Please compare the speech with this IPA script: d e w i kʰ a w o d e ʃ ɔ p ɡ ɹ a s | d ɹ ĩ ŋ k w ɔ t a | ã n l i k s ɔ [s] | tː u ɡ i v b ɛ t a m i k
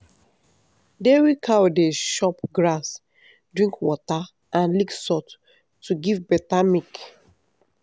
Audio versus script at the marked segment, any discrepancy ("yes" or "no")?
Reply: yes